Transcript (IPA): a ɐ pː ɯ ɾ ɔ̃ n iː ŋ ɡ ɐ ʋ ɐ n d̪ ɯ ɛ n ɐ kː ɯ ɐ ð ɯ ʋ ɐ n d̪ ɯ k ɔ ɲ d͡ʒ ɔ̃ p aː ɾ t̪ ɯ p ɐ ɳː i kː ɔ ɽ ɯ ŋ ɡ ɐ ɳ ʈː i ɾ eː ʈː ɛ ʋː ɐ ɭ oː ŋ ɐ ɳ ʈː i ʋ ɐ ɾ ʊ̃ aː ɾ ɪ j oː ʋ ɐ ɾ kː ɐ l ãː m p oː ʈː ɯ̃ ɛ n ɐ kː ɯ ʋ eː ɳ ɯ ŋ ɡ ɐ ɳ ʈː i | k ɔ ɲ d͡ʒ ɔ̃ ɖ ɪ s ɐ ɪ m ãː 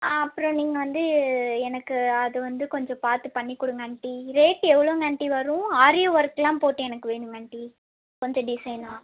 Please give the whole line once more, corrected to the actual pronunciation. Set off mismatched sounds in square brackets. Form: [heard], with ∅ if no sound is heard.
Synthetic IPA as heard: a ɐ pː ɯ ɾ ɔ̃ n iː ŋ ɡ ɐ ʋ ɐ n d̪ ɯ ɛ n ɐ kː ɯ ɐ ð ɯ ʋ ɐ n d̪ ɯ k ɔ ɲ d͡ʒ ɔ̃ p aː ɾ t̪ ɯ p ɐ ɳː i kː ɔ ɽ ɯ ŋ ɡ ɐ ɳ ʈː i ɾ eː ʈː ɛ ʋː ɐ ɭ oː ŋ ɐ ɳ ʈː i ʋ ɐ ɾ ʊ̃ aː ɾ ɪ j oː ʋ ɐ ɾ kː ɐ l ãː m p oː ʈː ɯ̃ ɛ n ɐ kː ɯ ʋ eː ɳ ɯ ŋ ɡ ɐ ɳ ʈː i | k ɔ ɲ d͡ʒ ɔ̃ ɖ ɪ s ɐ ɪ [n] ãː